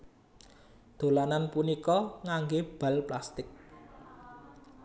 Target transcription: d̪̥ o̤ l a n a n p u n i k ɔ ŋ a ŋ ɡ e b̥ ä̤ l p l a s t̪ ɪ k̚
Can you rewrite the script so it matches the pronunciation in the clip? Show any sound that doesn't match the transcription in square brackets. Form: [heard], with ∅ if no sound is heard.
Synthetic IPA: d̪̥ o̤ l a n a n p u n i k ɔ ŋ a ŋ ɡ e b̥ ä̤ l p l a s t̪ ɪ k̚